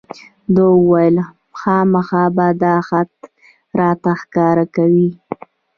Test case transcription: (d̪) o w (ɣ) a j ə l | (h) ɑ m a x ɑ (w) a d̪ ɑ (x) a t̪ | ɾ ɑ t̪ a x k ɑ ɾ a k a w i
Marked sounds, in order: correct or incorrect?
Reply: correct, incorrect: w, incorrect: x, incorrect: b, correct

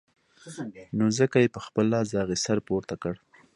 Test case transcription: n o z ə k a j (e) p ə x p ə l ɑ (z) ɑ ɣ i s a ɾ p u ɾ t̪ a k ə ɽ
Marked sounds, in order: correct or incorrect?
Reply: correct, correct

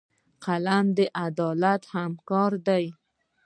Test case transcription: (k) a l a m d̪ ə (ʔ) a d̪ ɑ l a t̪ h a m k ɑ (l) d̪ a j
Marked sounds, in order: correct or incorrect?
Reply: incorrect: q, correct, incorrect: ɾ

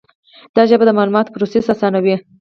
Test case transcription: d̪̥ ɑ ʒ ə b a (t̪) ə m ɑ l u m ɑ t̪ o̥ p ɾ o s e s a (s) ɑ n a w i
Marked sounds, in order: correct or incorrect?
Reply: incorrect: d̪, correct

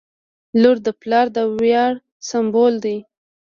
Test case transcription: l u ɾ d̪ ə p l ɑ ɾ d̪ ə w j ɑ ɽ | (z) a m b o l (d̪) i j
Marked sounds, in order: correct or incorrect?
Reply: incorrect: s, correct

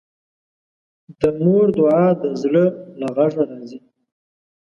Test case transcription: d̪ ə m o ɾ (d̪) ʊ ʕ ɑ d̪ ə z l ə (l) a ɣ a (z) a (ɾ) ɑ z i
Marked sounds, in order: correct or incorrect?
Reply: correct, correct, incorrect: ʐ, correct

